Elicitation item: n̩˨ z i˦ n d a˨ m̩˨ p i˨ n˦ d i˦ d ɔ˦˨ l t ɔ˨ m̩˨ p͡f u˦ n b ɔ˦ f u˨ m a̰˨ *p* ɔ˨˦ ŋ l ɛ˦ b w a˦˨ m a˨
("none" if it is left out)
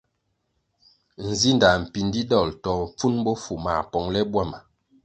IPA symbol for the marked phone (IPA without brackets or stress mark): p